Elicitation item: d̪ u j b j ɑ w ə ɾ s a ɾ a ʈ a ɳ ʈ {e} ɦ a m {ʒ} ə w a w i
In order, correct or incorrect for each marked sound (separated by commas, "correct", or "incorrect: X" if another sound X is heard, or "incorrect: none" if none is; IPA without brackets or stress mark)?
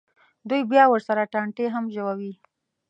correct, correct